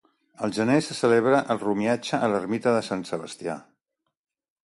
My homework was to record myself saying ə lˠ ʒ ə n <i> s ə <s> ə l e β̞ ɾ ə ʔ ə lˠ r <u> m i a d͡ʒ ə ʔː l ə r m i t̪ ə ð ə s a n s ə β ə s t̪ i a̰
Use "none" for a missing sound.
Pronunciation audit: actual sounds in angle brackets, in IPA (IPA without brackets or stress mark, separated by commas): e, s, u